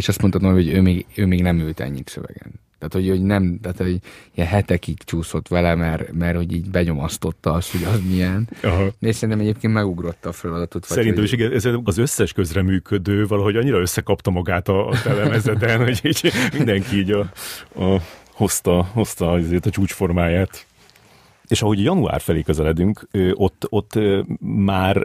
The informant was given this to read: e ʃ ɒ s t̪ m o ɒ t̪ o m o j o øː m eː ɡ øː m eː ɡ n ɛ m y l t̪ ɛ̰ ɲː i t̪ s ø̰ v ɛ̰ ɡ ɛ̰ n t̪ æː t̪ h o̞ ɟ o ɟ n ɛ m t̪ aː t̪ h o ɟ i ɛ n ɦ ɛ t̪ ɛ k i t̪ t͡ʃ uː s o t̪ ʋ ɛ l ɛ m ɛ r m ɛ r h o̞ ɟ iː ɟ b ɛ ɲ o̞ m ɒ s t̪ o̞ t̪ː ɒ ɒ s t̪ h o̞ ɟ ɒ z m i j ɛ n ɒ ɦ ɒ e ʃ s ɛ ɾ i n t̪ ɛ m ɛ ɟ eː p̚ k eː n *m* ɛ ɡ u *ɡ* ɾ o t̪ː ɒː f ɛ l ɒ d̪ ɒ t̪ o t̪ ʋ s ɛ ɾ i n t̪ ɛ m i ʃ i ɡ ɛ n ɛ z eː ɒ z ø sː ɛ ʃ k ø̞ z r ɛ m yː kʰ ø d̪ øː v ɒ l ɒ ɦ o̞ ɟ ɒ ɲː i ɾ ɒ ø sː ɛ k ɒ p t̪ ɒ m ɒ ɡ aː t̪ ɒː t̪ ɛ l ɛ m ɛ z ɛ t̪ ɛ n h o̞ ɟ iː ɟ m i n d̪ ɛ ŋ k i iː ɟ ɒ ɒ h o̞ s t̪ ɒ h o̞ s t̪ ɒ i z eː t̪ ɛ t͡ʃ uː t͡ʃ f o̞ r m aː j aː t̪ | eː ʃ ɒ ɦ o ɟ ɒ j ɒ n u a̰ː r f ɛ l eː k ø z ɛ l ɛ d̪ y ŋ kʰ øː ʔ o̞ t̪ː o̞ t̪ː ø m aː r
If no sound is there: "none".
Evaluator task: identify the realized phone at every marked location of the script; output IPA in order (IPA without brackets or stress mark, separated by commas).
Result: m, ɡ